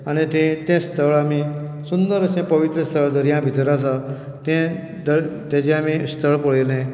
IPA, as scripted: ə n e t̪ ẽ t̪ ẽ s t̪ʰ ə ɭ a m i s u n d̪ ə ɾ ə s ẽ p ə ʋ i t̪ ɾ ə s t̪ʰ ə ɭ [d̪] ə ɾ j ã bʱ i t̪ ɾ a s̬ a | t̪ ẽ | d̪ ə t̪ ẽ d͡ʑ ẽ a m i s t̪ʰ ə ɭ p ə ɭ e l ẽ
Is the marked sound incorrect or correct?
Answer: correct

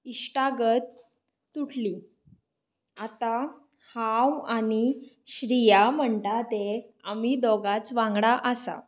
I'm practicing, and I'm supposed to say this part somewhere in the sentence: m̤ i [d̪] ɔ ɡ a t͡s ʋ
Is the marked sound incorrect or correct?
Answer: correct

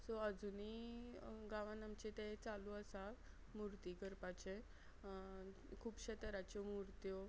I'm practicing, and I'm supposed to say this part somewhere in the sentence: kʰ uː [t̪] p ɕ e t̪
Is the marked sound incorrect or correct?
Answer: incorrect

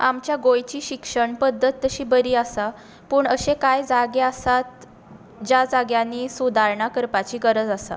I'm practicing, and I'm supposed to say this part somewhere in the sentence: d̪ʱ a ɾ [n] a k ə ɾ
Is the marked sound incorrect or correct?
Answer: incorrect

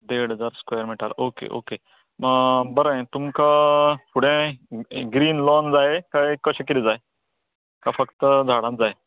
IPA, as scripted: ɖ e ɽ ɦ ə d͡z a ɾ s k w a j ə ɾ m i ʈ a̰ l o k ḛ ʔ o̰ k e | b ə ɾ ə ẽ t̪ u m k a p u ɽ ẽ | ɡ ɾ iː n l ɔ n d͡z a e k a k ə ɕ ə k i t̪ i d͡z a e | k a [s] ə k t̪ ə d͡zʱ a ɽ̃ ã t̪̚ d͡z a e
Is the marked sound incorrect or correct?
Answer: incorrect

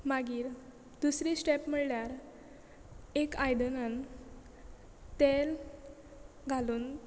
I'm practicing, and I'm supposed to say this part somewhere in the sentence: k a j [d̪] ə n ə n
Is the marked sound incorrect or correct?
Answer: correct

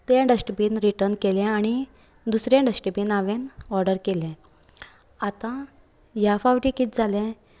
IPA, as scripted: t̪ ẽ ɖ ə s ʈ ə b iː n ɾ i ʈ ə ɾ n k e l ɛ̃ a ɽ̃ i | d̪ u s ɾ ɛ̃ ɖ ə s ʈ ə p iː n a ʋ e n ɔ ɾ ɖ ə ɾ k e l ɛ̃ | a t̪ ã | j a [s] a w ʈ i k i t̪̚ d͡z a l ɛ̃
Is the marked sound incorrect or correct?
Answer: incorrect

